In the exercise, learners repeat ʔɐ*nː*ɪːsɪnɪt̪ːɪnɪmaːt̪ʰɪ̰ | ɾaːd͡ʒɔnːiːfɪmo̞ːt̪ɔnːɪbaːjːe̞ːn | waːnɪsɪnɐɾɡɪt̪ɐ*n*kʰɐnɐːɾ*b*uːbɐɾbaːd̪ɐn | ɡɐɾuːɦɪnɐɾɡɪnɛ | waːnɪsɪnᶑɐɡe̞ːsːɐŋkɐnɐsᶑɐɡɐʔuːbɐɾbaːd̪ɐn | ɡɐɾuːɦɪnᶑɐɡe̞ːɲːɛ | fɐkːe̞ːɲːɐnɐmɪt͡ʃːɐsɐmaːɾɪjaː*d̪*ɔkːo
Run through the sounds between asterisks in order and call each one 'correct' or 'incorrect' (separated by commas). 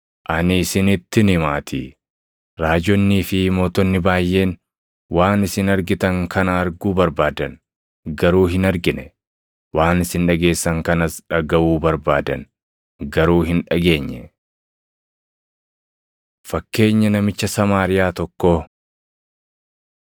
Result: incorrect, incorrect, incorrect, incorrect